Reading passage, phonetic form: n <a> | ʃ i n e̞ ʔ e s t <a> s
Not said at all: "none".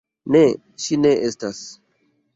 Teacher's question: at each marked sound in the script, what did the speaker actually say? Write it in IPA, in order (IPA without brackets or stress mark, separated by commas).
e, a